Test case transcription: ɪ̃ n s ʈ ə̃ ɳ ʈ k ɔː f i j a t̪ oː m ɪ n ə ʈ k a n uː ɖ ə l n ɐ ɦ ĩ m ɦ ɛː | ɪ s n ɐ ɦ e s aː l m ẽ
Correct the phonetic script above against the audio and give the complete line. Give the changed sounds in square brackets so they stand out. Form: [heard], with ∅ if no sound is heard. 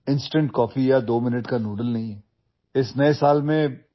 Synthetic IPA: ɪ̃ n s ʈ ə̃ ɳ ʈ k ɔː f i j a [d̪] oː m ɪ n ə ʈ k a n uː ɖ ə l n ɐ ɦ ĩ [∅] ɦ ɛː | ɪ s n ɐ [∅] e s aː l m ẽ